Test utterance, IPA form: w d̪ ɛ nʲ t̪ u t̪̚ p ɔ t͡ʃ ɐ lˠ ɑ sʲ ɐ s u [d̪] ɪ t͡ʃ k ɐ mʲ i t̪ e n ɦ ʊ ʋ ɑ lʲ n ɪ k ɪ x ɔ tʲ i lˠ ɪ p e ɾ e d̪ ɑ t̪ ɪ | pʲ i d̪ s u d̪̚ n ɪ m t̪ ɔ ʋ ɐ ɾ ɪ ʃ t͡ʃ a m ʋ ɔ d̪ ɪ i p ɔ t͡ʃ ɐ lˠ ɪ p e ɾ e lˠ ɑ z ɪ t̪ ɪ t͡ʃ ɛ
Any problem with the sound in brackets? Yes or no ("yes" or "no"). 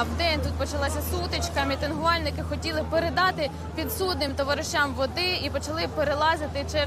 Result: yes